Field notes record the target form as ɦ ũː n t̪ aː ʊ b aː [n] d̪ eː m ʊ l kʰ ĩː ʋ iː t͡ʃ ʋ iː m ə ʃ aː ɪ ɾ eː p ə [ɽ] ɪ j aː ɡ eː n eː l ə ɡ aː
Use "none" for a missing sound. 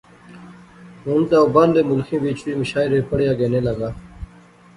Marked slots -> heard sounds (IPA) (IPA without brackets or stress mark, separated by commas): n, ɽ